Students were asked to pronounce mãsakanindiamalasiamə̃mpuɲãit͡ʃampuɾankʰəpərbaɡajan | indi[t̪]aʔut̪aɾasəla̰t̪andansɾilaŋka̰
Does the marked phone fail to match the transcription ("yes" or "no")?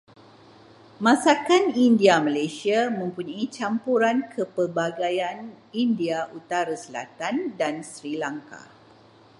yes